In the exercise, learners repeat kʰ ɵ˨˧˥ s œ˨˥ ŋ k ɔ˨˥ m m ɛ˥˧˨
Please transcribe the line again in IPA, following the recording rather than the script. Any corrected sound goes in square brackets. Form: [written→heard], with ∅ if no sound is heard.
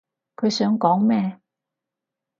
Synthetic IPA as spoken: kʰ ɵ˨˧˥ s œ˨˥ ŋ k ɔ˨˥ [m→ŋ] m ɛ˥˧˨